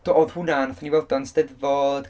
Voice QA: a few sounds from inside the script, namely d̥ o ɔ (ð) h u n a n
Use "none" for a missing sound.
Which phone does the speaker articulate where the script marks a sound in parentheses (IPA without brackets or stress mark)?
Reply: ð